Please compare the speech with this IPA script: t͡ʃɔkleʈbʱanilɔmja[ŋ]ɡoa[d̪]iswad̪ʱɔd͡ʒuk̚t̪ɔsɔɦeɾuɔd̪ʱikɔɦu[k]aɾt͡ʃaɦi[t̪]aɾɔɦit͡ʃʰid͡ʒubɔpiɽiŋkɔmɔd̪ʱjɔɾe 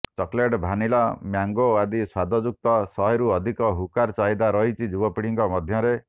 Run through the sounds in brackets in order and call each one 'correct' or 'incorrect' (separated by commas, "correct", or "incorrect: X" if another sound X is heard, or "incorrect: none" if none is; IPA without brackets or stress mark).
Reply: correct, correct, correct, incorrect: d̪